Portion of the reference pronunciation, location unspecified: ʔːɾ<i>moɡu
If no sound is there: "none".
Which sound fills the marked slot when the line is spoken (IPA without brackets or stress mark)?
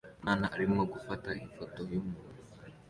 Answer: i